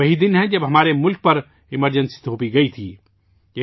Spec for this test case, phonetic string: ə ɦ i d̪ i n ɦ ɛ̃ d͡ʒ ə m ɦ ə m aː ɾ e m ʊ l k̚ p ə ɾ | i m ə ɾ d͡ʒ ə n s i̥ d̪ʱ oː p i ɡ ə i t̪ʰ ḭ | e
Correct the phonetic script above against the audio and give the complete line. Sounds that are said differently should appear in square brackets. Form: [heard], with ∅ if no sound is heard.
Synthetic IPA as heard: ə ɦ i d̪ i n ɦ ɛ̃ d͡ʒ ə [b] ɦ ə m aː ɾ e m ʊ l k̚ p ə ɾ | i m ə ɾ d͡ʒ ə n s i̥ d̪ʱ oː p i ɡ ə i t̪ʰ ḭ | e